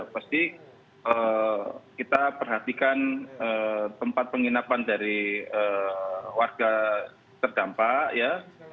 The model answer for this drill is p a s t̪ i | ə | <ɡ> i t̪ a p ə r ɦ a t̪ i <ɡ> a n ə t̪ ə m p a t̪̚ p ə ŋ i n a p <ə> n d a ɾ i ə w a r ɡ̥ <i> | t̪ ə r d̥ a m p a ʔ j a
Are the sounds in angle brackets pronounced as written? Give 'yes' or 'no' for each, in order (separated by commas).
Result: no, no, no, no